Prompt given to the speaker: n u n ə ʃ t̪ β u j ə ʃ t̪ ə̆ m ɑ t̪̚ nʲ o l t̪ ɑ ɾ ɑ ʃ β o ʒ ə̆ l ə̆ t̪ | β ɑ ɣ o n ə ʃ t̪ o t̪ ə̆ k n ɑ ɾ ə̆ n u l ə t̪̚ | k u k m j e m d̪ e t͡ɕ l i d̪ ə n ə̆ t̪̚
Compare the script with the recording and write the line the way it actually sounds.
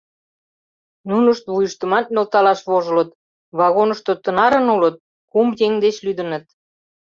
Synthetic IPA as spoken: n u n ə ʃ t̪ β u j ə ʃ t̪ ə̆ m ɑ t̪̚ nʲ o l t̪ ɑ l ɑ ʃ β o ʒ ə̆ l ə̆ t̪ | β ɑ ɣ o n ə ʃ t̪ o t̪ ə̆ n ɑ ɾ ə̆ n u l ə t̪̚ | k u m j e ŋ d̪ e t͡ɕ l y d̪ ə n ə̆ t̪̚

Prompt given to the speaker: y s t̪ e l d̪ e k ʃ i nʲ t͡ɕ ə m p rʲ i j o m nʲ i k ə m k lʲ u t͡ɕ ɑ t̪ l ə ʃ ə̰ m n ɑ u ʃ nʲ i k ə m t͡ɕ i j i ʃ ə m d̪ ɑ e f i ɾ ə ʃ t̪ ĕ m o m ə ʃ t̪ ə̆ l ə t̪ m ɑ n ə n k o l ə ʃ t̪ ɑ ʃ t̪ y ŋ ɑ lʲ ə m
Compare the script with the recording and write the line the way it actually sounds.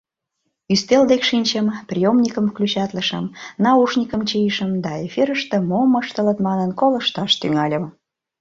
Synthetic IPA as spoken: y s t̪ e l d̪ e k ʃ i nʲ t͡ɕ ə m p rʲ i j o m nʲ i k ə m k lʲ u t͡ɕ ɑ t̪ l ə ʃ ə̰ m n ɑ u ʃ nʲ i k ə m t͡ɕ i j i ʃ ə m d̪ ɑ e f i ɾ ə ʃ t̪ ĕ m o m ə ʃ t̪ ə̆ l ə t̪ m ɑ n ə n k o l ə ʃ t̪ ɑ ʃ t̪ y ŋ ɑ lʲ ə m

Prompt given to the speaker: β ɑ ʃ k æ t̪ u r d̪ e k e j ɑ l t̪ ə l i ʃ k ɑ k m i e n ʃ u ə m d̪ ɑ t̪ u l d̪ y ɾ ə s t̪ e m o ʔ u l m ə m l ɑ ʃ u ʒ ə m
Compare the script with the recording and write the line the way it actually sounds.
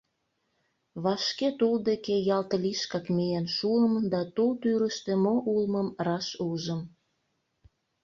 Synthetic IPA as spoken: β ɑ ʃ k e t̪ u l d̪ e k e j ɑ l t̪ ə l i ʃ k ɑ k m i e n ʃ u ə m d̪ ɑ t̪ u l t̪ y ɾ ə ʃ t̪ e m o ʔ u l m ə m r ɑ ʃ u ʒ ə m

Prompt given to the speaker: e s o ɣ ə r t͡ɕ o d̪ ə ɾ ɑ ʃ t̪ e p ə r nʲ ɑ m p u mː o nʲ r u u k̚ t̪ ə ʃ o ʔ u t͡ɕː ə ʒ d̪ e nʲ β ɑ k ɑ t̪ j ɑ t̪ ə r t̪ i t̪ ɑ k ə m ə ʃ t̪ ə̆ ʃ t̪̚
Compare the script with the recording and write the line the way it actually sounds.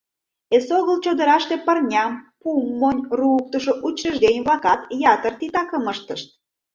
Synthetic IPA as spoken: e s o ɣ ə l t͡ɕ o d̪ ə ɾ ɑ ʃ t̪ e p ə r nʲ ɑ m p u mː o nʲ r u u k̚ t̪ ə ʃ o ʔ u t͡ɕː ə ʒ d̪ e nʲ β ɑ k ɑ t̪ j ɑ t̪ ə r t̪ i t̪ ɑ k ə m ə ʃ t̪ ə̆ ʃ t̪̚

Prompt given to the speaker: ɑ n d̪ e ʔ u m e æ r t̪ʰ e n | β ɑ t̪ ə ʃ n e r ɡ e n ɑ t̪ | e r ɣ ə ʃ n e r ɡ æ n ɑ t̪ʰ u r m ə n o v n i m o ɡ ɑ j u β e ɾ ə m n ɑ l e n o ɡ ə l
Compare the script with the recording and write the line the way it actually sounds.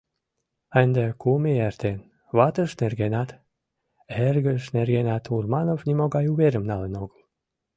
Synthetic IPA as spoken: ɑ n d̪ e k u m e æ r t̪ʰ e n | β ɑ t̪ ə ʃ n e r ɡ e n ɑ t̪ | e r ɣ ə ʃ n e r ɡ e n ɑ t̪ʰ u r m ɑ n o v n i m o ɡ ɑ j u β e ɾ ə m n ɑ l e n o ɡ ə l

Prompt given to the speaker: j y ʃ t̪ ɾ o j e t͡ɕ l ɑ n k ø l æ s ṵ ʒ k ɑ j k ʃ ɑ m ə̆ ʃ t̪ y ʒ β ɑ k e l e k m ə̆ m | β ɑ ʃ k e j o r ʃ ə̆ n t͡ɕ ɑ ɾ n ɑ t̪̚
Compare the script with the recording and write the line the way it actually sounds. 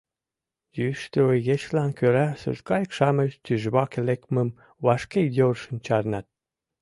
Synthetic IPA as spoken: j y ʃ t̪ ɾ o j e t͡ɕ l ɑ n k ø ɾ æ s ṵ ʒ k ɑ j k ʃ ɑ m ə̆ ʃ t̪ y ʒ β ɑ k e l e k m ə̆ m | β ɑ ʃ k e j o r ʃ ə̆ n t͡ɕ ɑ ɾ n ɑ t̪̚

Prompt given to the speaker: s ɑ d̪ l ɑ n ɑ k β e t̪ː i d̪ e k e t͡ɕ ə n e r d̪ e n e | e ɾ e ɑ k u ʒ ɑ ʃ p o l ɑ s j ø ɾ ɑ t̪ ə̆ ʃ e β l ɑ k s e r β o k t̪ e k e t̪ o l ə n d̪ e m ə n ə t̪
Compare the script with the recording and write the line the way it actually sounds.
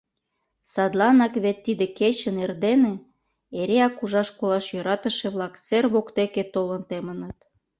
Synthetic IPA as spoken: s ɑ d̪ l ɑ n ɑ k β e t̪ː i d̪ e k e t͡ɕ ə n e r d̪ e n e | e ɾ e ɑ k u ʒ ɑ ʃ k o l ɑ ʃ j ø ɾ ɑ t̪ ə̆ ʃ e β l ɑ k s e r β o k t̪ e k e t̪ o l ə n t̪ e m ə n ə t̪

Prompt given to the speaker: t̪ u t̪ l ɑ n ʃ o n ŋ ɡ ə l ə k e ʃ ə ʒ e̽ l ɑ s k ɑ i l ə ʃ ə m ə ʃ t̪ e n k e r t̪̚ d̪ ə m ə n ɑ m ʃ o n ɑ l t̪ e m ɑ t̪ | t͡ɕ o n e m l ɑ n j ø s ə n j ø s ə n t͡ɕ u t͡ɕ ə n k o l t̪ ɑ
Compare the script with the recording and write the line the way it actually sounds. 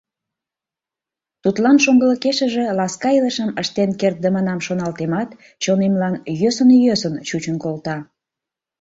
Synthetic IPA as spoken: t̪ u t̪ l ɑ n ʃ o ŋ ɡ ə l ə k e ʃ ə ʒ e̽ l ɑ s k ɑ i l ə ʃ ə m ə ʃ t̪ e n k e r t̪̚ d̪ ə m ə n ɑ m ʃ o n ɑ l t̪ e m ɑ t̪ | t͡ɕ o n e m l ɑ n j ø s ə n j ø s ə n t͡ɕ u t͡ɕ ə n k o l t̪ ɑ

